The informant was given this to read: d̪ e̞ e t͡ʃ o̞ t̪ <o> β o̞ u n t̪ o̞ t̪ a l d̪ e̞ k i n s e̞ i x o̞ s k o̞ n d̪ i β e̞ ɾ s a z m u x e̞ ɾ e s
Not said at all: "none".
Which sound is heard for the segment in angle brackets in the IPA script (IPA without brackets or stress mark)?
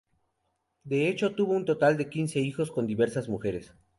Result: u